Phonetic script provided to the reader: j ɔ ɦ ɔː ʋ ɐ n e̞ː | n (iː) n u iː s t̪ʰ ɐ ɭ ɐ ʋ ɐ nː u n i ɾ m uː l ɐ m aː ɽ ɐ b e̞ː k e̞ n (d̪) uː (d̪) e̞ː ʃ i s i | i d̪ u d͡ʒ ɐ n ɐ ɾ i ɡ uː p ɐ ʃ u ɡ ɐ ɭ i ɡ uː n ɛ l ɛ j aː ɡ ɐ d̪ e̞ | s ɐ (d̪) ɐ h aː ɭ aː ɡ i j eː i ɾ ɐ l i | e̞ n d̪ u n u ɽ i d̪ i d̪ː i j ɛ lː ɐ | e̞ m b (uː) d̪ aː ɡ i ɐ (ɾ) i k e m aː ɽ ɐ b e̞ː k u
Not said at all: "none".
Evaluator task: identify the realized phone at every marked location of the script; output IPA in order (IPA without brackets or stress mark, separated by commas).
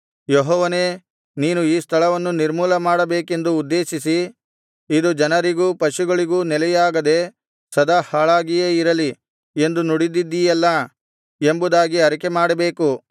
iː, d̪, d̪ː, d̪, u, ɾ